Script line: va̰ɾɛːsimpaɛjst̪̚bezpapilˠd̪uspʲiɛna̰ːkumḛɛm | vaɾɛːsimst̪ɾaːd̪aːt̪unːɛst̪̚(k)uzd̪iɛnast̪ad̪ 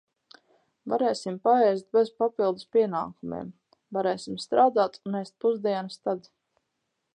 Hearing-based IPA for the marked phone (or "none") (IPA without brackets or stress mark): p